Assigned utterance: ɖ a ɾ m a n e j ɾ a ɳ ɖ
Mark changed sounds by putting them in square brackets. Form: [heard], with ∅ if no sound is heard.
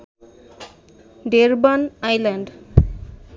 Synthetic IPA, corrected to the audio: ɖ [e] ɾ [b] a n [a] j [l] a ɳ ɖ